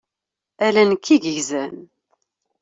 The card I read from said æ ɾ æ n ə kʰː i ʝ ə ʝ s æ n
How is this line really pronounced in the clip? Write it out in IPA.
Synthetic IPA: æ l æ n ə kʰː i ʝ ə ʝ z æ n